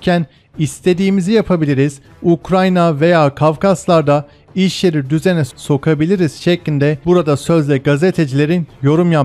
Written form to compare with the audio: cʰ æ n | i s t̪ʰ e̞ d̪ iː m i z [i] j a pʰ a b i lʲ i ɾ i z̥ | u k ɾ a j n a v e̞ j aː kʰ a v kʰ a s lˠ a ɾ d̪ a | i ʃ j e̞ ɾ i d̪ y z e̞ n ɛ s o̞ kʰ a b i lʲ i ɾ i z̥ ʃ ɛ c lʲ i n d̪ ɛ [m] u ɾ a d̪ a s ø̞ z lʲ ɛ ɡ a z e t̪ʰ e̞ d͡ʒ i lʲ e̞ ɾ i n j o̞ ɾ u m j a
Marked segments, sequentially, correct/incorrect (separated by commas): correct, incorrect